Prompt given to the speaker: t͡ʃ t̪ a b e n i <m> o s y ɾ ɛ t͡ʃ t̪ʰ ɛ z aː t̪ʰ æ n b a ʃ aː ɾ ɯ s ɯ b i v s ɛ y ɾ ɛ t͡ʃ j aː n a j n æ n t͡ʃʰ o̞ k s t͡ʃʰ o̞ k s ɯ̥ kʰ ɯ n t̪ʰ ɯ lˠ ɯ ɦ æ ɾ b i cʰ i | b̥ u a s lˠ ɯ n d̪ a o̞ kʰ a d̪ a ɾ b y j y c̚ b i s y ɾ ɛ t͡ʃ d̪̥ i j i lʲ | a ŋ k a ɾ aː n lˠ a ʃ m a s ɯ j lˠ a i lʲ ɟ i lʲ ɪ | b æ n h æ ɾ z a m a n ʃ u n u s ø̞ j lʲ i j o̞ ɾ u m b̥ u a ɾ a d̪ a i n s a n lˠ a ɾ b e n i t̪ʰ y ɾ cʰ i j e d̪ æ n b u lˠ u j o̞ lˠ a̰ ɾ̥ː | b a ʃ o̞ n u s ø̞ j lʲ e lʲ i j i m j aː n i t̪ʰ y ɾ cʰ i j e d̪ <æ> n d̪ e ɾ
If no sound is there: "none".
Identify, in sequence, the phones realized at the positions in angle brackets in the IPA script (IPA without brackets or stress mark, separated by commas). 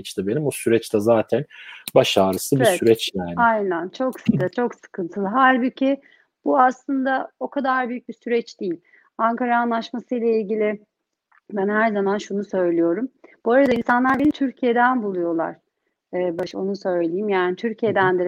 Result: m, æ